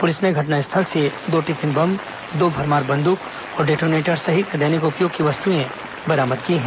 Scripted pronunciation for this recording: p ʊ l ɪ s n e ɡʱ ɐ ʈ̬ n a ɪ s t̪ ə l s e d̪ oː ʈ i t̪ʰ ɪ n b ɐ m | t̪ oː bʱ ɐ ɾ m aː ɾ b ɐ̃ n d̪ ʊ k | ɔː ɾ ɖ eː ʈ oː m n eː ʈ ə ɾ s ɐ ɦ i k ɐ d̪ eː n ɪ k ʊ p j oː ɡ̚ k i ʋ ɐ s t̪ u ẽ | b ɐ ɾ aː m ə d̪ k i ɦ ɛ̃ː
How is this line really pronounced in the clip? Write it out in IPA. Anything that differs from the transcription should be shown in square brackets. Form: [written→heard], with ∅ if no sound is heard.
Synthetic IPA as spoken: p ʊ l ɪ s n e ɡʱ ɐ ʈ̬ n a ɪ s [t̪→t̪ʰ] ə l s e d̪ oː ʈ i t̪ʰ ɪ n b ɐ m | [t̪→d̪] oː bʱ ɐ ɾ m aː ɾ b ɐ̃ n d̪ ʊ k | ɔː ɾ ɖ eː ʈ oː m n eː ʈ ə ɾ s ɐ ɦ i k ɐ d̪ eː n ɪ k ʊ p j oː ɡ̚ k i ʋ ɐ s t̪ u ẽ | b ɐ ɾ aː m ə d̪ k i ɦ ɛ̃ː